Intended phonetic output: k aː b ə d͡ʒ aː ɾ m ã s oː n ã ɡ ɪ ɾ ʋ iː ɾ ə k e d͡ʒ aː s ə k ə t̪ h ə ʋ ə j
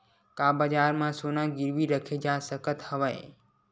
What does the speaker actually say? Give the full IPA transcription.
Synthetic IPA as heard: k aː b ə d͡ʒ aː ɾ m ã s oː n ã ɡ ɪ ɾ ʋ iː ɾ ə kʰ e d͡ʒ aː s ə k ə t̪ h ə ʋ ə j